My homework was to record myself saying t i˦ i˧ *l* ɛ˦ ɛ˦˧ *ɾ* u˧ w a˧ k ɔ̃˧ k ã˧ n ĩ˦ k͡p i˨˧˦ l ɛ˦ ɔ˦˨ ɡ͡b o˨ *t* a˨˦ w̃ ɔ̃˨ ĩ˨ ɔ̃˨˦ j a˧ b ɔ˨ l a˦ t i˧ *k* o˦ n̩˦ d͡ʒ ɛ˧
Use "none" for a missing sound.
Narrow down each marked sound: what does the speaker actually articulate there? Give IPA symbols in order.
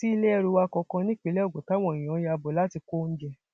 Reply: l, ɾ, t, k

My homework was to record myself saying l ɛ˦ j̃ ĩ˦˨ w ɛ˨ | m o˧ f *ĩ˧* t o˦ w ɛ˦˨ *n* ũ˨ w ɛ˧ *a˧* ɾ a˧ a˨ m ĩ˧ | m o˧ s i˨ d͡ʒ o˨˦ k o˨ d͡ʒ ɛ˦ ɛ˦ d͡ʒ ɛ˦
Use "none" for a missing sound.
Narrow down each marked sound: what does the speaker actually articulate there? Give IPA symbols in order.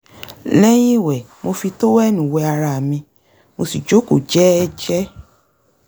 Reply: i˧, n, a˧

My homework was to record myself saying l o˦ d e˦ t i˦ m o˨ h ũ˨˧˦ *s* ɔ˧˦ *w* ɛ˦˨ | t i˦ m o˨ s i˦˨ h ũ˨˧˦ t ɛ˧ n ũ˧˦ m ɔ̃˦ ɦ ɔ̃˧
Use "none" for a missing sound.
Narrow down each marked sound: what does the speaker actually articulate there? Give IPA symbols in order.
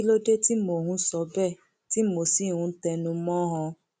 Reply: s, b

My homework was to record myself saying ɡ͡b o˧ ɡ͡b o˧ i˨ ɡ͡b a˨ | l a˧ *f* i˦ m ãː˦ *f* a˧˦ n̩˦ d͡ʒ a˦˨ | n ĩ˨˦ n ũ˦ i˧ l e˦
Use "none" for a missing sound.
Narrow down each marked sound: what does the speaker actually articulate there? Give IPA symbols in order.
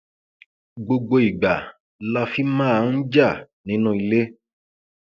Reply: f, none

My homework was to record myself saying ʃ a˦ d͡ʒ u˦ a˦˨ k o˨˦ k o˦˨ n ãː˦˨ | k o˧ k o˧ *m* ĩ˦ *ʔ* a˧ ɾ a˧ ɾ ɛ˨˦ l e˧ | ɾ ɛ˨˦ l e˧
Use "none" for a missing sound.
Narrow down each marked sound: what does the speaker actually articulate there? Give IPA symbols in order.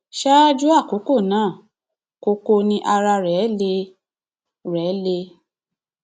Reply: n, ʔ

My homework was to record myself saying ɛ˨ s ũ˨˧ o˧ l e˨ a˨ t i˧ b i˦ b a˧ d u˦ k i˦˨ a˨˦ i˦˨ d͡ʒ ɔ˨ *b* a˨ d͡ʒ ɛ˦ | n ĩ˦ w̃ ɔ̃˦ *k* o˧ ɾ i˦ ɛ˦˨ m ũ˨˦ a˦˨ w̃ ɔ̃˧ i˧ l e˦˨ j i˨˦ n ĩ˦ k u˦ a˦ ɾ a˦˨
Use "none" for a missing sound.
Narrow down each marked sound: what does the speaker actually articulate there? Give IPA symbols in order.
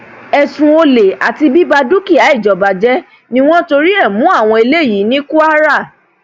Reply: b, t

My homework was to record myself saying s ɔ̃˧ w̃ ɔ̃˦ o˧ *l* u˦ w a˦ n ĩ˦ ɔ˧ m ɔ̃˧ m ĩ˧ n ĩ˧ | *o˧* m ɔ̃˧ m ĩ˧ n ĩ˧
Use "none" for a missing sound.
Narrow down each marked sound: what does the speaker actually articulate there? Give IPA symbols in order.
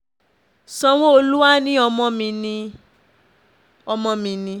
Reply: l, ɔ˧

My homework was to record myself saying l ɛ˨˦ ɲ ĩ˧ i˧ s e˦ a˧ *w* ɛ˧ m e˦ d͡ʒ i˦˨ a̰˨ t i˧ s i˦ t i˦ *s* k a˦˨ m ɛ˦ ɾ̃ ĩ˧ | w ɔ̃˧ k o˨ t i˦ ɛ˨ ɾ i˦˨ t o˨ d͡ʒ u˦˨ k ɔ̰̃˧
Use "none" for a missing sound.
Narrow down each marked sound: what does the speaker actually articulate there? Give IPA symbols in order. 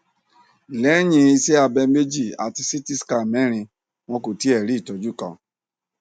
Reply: b, s

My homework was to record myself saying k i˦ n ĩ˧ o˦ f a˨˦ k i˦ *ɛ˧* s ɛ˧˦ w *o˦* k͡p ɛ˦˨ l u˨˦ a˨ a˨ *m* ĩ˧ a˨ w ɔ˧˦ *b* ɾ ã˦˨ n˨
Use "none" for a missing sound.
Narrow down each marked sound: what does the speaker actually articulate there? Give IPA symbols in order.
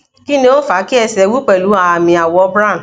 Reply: ɛ˧, u˦, m, b

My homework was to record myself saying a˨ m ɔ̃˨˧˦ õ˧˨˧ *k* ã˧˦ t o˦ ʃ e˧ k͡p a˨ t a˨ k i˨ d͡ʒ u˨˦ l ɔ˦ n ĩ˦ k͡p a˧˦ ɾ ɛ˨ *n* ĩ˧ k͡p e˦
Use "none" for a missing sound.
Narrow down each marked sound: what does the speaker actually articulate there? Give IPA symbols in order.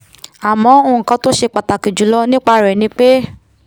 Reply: k, n

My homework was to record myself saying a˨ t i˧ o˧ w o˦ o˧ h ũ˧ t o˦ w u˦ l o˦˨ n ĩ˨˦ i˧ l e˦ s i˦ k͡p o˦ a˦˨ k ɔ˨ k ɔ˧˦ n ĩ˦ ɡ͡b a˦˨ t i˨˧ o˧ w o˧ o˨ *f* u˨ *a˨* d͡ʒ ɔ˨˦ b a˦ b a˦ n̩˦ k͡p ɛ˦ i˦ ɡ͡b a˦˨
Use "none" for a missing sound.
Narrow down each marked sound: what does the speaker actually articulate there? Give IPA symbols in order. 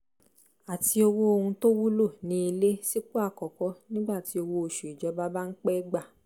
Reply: ʃ, i˨

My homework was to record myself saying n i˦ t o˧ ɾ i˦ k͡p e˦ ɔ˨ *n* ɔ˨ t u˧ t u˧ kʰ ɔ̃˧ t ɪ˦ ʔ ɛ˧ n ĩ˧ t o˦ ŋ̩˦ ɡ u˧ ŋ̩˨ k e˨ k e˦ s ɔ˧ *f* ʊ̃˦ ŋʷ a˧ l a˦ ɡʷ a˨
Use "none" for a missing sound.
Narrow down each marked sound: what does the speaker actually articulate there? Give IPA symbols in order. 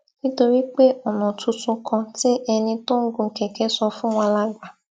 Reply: n, f

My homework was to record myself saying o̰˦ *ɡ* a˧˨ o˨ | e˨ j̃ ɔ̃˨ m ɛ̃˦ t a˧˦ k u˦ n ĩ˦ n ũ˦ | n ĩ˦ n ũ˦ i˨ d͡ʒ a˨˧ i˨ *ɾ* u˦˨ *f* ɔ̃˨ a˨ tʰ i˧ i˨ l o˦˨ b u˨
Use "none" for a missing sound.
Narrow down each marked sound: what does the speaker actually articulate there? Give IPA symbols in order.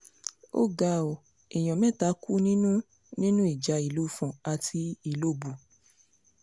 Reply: ɡ, l, f

